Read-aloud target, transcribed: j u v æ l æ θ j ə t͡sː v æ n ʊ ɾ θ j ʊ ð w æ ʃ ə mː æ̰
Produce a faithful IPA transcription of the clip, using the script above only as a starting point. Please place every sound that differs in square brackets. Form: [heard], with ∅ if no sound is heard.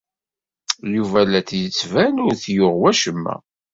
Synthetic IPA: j u v æ l æ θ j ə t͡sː v æ n ʊ ɾ θ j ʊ [ʁ] w æ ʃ ə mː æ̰